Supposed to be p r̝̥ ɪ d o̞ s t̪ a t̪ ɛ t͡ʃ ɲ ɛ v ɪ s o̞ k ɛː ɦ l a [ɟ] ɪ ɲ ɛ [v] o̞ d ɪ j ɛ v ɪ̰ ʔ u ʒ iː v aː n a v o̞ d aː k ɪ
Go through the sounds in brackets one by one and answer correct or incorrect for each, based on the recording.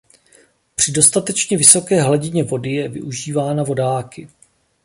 correct, correct

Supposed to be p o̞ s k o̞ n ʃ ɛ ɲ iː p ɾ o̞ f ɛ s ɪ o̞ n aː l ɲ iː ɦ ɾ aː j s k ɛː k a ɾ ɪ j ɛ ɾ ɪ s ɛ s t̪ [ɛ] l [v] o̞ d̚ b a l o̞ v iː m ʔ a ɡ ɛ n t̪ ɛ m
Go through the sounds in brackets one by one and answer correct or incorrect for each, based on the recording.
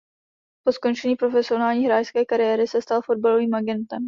incorrect: a, incorrect: f

